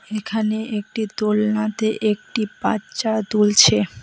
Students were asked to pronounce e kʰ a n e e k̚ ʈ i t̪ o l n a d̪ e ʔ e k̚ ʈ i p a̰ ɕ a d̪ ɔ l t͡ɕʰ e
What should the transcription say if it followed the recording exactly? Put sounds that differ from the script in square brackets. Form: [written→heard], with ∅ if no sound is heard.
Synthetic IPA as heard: e kʰ a n e e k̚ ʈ i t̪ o l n a [d̪→t̪] e ʔ e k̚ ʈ i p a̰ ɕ a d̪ [ɔ→u] l t͡ɕʰ e